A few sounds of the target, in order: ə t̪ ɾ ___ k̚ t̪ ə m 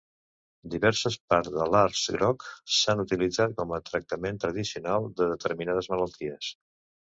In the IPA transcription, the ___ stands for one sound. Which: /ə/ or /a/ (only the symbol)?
ə